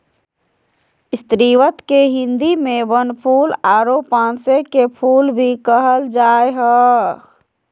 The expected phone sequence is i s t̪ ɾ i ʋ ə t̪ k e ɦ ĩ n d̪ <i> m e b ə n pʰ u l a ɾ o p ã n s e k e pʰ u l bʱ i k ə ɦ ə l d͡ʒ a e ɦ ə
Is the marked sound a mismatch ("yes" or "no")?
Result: no